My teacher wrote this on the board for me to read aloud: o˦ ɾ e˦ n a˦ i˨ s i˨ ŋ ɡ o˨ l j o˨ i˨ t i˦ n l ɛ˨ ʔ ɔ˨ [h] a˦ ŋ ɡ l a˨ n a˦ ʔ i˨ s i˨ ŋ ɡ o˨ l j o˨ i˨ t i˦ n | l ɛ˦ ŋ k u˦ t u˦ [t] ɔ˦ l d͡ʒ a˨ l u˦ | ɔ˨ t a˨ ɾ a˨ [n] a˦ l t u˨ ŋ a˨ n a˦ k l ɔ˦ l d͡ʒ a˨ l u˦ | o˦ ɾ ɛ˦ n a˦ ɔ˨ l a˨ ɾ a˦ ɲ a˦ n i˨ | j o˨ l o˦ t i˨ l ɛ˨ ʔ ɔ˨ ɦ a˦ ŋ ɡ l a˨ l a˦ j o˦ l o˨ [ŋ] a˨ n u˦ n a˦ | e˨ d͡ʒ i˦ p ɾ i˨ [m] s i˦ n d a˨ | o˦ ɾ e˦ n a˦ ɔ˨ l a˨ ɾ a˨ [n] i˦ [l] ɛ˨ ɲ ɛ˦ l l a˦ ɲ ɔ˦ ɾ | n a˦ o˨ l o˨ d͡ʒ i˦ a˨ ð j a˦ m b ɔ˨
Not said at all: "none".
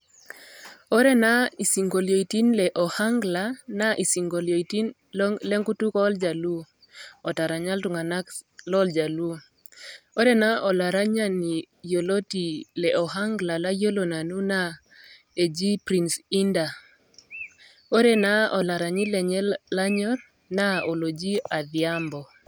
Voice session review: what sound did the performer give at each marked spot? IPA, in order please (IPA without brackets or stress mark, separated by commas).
h, k, ɲ, n, n, ɲ, l